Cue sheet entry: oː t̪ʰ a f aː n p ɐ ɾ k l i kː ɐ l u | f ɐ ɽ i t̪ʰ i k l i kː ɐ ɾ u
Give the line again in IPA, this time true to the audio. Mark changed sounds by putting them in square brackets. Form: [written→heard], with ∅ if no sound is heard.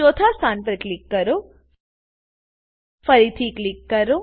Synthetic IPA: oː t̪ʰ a [f→s] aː n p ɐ ɾ k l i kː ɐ [l→ɾ] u | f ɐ [ɽ→ɾ] i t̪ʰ i k l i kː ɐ ɾ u